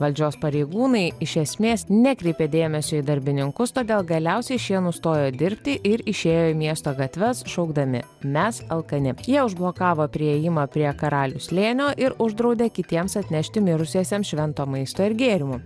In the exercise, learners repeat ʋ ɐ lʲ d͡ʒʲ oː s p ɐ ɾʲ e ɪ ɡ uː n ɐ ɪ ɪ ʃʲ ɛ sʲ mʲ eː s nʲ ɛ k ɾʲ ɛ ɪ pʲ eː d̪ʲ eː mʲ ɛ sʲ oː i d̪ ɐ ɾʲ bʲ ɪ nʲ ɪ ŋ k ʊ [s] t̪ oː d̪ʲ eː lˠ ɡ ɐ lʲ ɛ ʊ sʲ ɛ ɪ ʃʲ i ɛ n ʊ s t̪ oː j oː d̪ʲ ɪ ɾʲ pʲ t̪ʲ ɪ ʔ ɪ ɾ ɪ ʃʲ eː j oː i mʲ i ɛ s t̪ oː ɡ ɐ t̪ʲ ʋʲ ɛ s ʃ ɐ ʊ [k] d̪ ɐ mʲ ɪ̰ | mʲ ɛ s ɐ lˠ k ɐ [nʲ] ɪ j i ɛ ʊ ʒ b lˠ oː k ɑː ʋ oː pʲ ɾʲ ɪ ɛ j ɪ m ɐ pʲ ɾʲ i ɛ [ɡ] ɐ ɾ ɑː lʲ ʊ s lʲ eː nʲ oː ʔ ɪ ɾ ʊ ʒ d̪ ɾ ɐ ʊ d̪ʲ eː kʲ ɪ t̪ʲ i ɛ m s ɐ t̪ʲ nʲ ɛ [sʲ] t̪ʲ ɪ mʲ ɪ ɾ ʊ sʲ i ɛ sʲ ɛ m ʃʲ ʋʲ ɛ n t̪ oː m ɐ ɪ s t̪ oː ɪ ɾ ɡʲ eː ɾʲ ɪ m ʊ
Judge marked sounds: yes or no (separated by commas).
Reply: yes, no, yes, no, no